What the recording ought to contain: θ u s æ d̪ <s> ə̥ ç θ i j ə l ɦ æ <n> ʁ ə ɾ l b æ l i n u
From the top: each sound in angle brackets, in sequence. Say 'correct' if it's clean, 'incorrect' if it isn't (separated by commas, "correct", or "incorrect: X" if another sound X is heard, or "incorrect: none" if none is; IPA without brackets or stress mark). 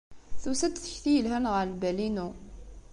incorrect: θ, correct